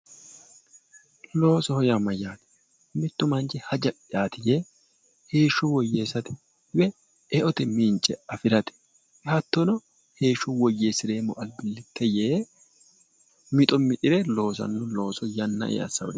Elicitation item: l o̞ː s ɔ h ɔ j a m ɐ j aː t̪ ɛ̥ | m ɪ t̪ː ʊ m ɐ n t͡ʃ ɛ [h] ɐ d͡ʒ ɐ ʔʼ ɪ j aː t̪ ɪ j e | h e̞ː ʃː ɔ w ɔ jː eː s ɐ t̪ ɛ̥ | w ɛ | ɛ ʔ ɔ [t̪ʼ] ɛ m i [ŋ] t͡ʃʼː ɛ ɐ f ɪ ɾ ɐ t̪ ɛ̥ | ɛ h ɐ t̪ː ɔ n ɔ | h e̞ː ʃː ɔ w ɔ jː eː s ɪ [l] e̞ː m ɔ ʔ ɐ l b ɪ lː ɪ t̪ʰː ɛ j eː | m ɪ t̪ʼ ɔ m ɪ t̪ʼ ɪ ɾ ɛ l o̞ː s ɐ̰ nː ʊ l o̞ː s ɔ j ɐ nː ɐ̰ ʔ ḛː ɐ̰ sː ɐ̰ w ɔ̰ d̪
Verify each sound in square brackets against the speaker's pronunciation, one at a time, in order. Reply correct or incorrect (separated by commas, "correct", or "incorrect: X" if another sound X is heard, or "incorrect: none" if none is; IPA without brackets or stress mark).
correct, incorrect: t̪, incorrect: n, incorrect: ɾ